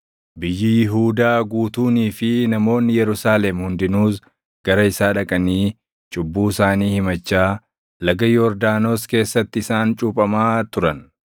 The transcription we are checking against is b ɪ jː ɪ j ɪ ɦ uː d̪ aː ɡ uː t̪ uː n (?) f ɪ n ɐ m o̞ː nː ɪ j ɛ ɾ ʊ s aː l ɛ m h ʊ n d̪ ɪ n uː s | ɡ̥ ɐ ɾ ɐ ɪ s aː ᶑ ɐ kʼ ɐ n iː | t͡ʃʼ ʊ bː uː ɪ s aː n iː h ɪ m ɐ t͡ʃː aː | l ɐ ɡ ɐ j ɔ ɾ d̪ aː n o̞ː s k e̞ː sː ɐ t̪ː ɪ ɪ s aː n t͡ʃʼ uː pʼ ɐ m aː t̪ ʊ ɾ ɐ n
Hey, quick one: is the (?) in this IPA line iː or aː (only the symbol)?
iː